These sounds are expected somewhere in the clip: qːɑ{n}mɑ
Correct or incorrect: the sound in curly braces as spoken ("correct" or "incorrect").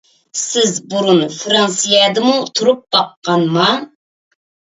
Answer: correct